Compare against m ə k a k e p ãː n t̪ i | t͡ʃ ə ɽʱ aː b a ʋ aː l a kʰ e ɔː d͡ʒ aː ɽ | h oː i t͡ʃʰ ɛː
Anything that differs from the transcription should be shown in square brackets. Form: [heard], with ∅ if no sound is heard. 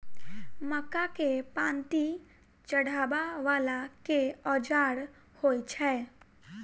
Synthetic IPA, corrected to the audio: m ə k a k e p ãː n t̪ i | t͡ʃ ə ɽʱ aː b a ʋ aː l a [k] e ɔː d͡ʒ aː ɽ | h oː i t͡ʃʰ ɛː